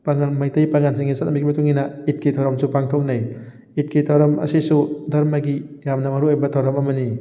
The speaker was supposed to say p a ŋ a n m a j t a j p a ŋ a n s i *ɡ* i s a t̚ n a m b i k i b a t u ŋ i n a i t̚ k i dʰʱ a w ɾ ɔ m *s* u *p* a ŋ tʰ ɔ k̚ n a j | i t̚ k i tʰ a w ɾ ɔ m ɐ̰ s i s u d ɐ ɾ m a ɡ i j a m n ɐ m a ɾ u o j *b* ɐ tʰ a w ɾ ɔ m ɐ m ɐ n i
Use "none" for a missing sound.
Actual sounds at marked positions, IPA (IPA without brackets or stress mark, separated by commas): ŋ, s, p, b